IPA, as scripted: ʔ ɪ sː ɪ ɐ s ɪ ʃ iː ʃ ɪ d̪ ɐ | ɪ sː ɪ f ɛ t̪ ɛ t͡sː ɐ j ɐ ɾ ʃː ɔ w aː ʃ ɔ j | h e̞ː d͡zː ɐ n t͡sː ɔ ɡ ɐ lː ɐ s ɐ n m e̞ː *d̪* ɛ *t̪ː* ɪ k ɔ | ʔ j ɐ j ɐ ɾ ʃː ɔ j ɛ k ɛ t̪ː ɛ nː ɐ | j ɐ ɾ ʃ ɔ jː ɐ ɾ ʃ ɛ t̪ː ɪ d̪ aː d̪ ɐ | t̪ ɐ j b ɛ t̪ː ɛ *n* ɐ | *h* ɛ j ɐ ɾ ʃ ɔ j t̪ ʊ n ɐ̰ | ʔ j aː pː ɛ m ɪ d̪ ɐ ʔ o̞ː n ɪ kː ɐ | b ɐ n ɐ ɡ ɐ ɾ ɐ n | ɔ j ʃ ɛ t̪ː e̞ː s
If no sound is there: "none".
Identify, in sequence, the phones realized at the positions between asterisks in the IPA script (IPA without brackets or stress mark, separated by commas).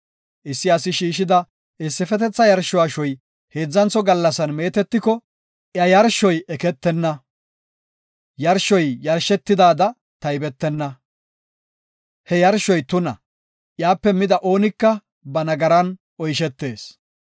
t̪, t̪ː, nː, h